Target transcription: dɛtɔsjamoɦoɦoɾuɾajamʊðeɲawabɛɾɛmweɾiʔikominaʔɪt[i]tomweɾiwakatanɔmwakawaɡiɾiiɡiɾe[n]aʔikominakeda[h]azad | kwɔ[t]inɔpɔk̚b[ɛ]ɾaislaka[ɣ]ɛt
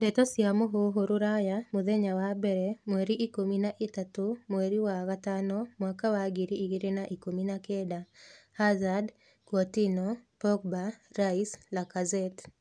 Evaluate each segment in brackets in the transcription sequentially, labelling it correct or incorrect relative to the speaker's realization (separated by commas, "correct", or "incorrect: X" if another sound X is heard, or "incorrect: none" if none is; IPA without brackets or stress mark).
incorrect: a, correct, correct, correct, incorrect: a, incorrect: z